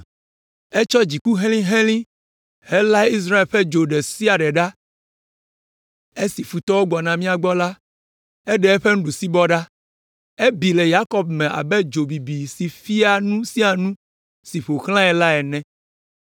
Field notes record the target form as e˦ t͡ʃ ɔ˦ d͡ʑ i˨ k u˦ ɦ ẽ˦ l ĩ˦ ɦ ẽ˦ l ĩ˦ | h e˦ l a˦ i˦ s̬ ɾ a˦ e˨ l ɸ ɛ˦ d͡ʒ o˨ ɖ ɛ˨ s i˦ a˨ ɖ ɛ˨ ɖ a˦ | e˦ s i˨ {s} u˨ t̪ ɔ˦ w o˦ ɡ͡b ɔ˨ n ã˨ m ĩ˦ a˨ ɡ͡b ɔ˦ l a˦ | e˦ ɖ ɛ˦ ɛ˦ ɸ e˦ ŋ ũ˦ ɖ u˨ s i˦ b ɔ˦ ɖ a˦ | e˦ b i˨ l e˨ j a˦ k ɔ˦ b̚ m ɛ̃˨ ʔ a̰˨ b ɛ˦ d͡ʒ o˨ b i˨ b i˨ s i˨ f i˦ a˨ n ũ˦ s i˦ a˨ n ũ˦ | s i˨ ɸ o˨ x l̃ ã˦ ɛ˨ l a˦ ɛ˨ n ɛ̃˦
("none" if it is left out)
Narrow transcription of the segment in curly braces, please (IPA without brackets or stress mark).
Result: f